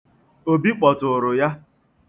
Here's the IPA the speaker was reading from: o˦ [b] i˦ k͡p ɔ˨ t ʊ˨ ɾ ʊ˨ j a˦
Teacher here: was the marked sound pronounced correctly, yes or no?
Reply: yes